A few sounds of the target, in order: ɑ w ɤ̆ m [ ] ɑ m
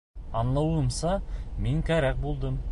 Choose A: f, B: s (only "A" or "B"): B